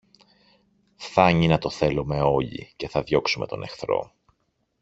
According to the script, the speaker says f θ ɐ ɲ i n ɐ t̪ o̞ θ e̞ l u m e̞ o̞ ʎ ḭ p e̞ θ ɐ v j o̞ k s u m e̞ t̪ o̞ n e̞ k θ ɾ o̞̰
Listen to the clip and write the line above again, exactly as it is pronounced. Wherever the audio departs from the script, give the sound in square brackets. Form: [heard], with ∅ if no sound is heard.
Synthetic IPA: f θ ɐ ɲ i n ɐ t̪ o̞ θ e̞ l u m e̞ o̞ ʎ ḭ [c] e̞ θ ɐ [ð] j o̞ k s u m e̞ t̪ o̞ n e̞ [x] θ ɾ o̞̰